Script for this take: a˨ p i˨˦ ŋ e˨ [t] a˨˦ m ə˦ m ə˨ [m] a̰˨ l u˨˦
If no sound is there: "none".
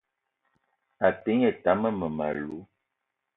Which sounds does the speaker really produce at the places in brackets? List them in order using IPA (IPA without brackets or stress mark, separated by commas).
t, m